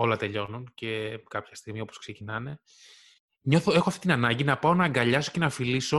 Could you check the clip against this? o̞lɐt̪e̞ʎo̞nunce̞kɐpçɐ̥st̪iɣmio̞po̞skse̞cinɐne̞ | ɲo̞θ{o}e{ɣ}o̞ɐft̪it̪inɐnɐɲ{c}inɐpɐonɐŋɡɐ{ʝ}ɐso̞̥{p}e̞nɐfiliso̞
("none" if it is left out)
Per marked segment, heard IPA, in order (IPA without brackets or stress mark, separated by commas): o, x, ɟ, ʎ, c